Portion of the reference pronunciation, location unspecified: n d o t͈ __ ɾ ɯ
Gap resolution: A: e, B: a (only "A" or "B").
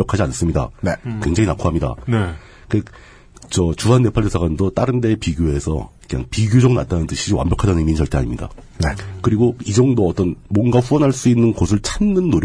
B